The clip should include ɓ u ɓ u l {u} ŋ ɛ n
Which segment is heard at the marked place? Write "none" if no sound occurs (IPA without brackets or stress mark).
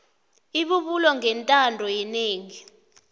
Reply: ɔ